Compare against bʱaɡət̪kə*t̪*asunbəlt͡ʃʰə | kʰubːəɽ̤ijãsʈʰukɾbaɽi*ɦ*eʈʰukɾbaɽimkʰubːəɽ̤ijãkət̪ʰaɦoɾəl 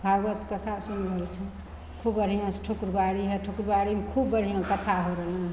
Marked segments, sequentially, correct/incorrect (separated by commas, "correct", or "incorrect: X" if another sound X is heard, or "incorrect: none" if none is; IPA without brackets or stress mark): incorrect: t̪ʰ, correct